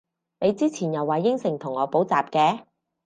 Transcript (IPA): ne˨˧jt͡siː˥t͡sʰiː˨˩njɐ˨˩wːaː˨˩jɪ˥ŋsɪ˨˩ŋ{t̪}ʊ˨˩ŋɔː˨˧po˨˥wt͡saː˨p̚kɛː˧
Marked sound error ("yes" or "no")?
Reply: yes